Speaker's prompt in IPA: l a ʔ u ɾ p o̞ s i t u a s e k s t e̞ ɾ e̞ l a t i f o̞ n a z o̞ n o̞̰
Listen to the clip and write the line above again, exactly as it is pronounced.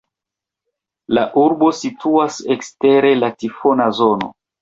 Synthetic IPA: l a ʔ u ɾ b o̞ s i t u a s e k s t e̞ ɾ e̞ l a t i f o̞ n a z o̞ n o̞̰